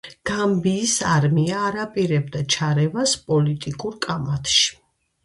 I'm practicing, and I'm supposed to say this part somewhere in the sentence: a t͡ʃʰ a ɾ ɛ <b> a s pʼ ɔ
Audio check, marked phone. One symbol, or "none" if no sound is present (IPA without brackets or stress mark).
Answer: v